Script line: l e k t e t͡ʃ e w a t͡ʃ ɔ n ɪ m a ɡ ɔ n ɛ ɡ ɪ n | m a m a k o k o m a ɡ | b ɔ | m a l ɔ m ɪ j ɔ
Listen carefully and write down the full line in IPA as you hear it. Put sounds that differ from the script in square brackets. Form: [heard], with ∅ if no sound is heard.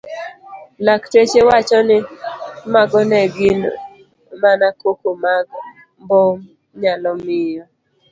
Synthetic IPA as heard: l [a] k t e t͡ʃ e w a t͡ʃ ɔ n ɪ m a ɡ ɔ n ɛ ɡ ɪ n | m a [n] a k o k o m a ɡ | b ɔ | [ɲ] a l ɔ m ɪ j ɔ